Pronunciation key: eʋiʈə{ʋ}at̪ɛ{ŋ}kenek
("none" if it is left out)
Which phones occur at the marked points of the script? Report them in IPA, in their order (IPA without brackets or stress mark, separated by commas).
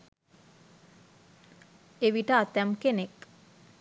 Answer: none, m